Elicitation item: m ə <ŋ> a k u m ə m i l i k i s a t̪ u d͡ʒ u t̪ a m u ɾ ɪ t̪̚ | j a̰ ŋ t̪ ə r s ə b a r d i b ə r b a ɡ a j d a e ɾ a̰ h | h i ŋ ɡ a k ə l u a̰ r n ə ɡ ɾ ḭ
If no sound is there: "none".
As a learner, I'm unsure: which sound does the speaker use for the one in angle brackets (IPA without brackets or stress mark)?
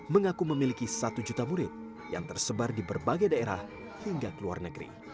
ŋ